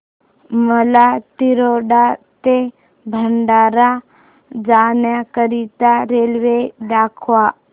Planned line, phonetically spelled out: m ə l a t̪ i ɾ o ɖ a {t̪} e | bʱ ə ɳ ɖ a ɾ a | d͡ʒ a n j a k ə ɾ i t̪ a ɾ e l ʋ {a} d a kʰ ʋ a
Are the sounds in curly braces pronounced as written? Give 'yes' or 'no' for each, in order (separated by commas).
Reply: yes, no